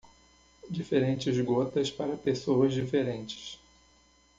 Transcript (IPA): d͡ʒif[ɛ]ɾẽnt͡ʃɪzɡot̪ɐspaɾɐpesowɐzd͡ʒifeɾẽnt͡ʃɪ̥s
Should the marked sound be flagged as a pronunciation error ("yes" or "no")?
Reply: yes